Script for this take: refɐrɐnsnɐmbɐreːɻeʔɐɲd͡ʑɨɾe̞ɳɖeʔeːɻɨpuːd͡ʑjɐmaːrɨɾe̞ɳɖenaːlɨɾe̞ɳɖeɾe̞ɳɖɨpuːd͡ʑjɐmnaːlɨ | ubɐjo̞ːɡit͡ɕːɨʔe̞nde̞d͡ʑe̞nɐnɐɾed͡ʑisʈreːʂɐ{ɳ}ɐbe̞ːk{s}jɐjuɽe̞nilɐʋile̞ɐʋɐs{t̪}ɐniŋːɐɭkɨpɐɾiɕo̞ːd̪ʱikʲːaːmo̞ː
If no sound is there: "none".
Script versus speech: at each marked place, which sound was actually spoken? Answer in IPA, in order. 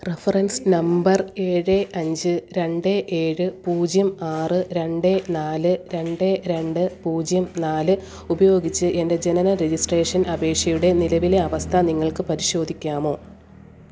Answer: n, ʂ, t̪ʰ

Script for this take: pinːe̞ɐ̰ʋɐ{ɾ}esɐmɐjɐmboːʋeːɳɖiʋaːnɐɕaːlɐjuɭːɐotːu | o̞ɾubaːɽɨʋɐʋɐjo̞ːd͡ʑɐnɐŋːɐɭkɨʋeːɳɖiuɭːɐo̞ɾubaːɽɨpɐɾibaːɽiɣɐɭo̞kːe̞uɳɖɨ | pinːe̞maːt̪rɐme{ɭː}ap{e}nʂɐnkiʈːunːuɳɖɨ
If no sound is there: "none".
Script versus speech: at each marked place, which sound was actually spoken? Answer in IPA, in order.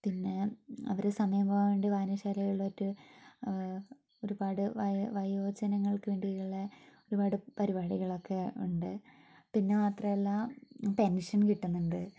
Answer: ɾ, lː, e

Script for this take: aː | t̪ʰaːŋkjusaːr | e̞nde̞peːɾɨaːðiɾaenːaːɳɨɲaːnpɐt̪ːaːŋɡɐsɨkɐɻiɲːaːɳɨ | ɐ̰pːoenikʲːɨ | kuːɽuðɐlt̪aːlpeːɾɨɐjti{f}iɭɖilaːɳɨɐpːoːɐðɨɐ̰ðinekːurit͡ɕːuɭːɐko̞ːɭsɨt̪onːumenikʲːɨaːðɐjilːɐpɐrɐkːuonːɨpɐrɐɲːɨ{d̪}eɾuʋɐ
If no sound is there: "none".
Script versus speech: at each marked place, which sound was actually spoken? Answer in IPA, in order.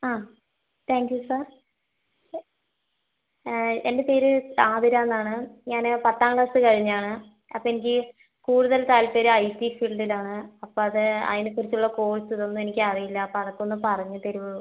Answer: f, t̪

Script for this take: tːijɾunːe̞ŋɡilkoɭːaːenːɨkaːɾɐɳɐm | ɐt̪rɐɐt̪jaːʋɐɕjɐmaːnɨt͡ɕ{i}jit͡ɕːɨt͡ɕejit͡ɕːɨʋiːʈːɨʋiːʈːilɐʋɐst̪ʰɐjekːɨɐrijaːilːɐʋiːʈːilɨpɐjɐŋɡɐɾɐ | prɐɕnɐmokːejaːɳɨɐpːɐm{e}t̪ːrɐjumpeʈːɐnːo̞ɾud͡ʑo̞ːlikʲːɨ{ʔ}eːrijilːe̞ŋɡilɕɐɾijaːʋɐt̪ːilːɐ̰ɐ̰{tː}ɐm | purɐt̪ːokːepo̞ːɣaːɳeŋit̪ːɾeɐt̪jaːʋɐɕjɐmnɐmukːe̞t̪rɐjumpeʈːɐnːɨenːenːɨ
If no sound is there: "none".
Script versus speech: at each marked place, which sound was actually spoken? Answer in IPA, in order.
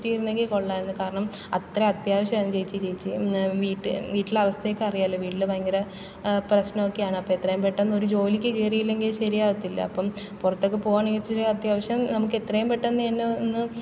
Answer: e, e, k, pː

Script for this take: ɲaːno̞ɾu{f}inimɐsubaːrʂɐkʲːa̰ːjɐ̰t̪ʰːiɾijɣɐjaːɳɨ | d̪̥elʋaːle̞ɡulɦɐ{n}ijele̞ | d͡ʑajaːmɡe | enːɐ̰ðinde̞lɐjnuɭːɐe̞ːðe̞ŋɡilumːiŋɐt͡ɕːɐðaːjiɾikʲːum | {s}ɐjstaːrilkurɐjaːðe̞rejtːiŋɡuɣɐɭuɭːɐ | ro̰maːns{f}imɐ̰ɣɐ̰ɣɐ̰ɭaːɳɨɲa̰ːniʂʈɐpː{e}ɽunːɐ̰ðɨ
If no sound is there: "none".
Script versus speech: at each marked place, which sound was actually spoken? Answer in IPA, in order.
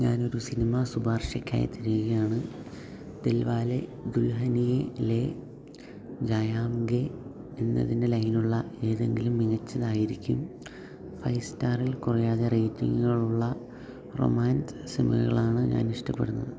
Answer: s, n, f, s, e

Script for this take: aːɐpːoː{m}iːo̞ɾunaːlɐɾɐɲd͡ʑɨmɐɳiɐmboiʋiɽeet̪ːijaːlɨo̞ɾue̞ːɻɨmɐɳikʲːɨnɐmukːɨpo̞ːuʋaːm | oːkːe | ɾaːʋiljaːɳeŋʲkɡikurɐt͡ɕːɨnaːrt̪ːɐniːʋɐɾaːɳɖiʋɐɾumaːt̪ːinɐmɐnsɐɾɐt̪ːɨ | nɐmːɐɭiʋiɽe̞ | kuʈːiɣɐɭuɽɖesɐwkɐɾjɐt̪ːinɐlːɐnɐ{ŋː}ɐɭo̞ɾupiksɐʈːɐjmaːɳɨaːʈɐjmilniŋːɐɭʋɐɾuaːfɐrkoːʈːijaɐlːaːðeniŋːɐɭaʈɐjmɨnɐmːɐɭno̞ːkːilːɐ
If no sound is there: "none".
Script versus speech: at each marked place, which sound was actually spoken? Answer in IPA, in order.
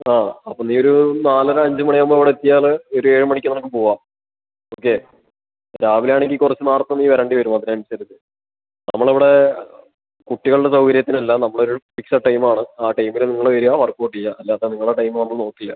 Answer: n, mː

